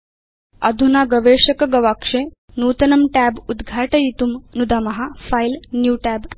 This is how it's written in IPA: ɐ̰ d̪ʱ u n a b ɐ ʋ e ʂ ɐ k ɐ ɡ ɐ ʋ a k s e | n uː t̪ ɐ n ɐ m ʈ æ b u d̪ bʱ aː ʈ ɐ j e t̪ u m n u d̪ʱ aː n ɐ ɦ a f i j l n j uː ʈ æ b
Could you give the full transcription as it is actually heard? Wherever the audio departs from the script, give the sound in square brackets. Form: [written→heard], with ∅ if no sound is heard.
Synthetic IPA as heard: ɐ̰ d̪ʱ u n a [b→ɡ] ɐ ʋ e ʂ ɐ k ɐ ɡ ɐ ʋ a k [s→ʂ] e | n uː t̪ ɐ n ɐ m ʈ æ b u d̪ [bʱ→ɡʱ] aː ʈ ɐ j [e→i] t̪ u m n u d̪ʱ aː [n→m] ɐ ɦ a f [i→a] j l n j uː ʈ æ b